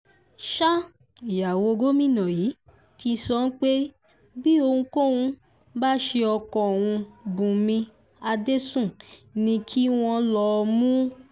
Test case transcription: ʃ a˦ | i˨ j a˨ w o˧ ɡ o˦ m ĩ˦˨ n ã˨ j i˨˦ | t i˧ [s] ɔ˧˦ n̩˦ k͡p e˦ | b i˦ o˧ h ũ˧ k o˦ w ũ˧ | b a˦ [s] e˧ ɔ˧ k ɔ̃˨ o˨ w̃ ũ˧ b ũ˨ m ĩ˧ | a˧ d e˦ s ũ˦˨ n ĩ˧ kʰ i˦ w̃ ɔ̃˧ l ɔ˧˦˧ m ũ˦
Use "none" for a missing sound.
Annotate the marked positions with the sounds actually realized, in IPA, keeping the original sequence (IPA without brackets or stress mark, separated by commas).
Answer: s, ʃ